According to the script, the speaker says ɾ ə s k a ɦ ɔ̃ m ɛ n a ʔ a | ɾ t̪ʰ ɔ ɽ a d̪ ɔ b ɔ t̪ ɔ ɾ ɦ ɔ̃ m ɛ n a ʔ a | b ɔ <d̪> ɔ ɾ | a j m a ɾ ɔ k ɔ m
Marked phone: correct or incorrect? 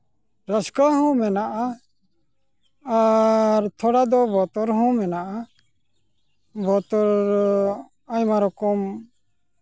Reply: incorrect